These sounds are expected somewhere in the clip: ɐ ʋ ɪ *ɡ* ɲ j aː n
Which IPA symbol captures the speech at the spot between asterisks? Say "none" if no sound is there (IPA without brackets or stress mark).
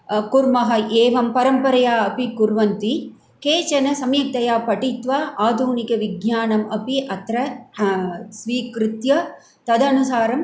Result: ɡ